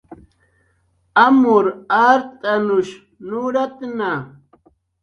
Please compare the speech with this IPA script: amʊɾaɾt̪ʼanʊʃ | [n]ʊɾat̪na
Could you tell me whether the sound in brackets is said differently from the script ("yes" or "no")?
no